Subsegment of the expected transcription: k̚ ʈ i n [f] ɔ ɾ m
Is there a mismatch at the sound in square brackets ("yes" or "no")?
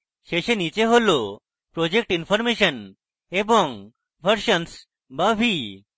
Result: no